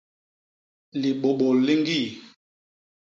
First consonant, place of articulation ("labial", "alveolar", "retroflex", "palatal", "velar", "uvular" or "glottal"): alveolar